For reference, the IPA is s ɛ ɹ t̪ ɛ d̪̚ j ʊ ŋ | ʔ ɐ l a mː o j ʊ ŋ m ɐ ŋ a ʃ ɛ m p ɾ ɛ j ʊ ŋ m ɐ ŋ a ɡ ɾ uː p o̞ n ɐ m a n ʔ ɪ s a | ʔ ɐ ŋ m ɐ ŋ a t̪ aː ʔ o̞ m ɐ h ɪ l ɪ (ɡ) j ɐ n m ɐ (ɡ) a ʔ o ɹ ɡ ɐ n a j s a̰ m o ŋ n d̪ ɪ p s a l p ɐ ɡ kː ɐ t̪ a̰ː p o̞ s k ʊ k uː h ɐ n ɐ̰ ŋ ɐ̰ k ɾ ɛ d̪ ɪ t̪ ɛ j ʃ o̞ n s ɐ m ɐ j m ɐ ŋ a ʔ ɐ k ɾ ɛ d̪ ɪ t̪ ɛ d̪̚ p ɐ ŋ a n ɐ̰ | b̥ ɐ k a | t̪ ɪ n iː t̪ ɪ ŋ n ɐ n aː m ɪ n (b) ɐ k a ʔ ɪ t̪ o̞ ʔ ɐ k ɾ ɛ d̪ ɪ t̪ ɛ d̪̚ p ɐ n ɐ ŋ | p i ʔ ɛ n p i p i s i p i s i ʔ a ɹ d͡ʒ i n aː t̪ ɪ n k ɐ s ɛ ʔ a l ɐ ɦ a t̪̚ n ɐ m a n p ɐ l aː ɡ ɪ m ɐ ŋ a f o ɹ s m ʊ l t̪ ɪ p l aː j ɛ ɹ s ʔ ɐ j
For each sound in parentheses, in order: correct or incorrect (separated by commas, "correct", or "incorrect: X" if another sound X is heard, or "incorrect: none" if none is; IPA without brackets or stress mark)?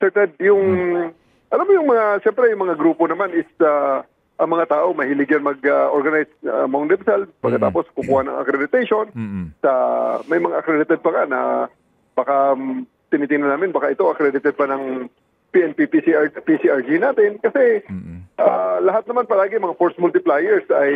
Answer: correct, correct, correct